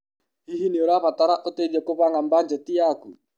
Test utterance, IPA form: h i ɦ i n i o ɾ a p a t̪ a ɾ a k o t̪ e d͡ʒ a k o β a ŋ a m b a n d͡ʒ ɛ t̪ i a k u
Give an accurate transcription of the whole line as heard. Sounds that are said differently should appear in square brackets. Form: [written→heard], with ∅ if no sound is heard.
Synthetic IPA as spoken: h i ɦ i n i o ɾ a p a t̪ a ɾ a [k→ʔ] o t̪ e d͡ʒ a k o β a ŋ a m b a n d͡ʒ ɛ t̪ i a k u